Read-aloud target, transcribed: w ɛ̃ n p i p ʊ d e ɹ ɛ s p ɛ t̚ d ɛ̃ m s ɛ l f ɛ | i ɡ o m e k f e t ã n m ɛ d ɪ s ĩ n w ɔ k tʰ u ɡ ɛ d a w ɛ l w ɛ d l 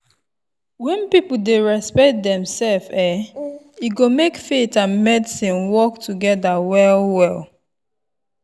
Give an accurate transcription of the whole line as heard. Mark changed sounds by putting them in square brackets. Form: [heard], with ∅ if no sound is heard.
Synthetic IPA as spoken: w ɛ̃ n p i p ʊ d e ɹ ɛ s p ɛ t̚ d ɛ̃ m s ɛ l f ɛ | i ɡ o m e k f e t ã n m ɛ d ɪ s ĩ n w ɔ k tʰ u ɡ ɛ d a w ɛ l w ɛ [∅] l